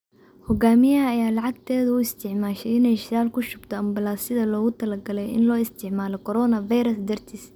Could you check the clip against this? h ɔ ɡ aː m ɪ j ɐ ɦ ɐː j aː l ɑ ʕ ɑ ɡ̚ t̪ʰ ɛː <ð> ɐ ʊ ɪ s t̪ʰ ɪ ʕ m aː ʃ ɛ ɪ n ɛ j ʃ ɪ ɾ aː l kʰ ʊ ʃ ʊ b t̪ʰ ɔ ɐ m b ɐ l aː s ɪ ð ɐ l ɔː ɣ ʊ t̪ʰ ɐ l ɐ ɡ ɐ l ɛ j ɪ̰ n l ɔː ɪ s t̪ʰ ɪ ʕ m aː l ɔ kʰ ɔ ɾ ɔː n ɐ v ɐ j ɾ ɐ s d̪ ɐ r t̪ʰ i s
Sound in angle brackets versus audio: correct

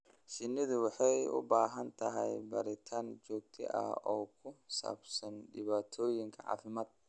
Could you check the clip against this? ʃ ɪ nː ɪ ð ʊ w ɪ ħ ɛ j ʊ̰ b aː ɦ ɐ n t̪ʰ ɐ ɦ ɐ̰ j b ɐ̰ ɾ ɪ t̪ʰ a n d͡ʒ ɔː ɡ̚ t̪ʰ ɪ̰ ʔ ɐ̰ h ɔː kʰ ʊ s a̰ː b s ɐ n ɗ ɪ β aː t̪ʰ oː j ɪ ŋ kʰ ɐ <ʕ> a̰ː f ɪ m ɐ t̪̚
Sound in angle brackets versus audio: correct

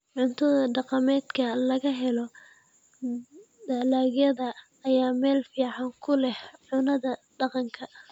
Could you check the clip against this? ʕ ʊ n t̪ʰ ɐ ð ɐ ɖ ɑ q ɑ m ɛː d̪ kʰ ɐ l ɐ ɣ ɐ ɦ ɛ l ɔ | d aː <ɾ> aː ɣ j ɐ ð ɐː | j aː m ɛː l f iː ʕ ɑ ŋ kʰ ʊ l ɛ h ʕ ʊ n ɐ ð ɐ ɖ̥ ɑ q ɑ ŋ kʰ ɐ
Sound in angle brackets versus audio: incorrect: l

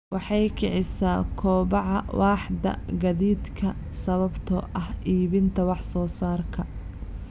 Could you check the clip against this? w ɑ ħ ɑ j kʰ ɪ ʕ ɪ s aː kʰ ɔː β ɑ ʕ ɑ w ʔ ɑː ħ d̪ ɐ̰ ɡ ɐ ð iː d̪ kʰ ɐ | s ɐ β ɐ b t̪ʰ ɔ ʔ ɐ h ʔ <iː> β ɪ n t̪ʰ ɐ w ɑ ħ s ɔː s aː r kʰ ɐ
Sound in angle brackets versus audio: correct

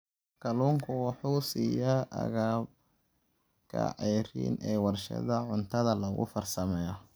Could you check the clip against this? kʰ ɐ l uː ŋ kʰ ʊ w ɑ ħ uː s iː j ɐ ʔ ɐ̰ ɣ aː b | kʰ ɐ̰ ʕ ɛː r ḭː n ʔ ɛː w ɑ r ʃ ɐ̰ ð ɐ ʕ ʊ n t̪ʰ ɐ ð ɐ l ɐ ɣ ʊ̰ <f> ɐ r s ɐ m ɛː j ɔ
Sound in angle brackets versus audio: correct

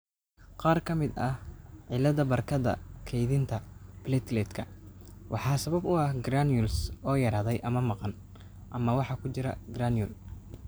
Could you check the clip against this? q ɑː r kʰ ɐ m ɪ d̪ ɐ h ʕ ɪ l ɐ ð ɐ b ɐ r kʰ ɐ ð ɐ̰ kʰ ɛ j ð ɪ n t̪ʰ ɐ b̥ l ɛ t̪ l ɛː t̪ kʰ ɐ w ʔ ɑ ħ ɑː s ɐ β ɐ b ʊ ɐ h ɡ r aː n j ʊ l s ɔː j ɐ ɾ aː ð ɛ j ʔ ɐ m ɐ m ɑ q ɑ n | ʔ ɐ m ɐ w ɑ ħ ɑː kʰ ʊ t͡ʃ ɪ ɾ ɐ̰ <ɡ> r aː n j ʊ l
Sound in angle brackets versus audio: correct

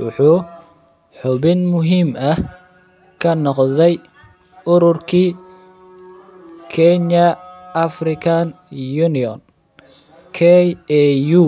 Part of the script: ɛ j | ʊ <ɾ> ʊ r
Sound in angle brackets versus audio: correct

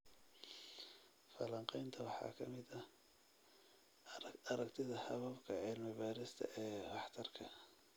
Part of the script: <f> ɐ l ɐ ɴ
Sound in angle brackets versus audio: correct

